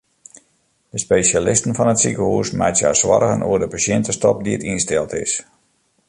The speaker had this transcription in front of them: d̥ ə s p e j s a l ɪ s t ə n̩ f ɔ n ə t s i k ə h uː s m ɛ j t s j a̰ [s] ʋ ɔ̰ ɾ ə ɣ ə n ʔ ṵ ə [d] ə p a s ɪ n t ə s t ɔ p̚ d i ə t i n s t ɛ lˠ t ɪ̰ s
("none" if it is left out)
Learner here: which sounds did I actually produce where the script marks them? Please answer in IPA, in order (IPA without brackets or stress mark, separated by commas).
s, d